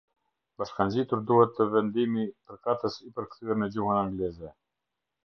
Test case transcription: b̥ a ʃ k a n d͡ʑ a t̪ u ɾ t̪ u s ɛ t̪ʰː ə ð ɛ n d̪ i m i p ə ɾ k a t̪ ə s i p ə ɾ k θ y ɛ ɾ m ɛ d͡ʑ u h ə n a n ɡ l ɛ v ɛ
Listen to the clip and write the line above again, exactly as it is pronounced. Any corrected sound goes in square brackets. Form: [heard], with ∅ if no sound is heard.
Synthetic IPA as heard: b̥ a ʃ k a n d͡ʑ [i] t̪ u ɾ [d̪] u [h] ɛ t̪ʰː ə [v] ɛ n d̪ i m i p ə ɾ k a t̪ ə s i p ə ɾ k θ y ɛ ɾ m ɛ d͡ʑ u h ə n a [ŋ] ɡ l ɛ [z] ɛ